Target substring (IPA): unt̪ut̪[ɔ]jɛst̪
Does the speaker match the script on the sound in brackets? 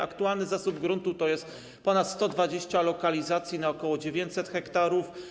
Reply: yes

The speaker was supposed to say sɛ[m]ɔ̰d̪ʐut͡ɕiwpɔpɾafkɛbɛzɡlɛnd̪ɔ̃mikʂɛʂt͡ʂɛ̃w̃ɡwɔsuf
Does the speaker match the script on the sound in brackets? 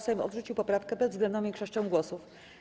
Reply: yes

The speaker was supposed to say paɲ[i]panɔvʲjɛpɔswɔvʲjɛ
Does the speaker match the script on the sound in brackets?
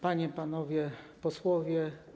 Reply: no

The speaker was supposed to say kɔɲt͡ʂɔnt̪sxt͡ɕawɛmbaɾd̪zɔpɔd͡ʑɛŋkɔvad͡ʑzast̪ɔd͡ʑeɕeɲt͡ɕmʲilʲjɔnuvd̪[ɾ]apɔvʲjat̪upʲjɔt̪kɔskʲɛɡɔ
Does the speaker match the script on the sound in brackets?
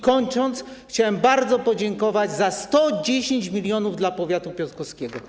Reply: no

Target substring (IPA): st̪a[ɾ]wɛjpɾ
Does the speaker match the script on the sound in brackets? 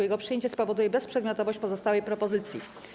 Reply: no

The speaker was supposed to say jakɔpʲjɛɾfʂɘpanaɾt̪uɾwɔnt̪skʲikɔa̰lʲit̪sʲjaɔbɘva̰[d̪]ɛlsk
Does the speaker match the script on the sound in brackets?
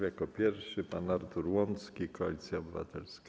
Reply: no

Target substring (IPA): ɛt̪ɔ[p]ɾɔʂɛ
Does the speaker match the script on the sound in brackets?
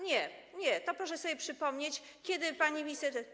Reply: yes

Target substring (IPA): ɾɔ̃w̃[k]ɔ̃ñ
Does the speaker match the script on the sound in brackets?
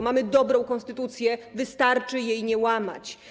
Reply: yes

